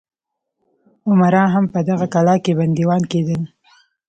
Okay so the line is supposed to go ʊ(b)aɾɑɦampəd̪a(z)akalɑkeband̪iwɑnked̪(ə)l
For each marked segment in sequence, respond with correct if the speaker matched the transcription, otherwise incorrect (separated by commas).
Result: incorrect, incorrect, correct